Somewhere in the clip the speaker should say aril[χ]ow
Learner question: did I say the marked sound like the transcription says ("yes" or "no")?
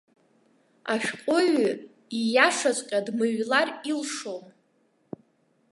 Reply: no